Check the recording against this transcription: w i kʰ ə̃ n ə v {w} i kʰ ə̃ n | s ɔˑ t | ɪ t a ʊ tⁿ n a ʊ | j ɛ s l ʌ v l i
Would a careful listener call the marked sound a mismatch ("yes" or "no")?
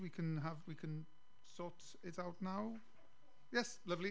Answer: no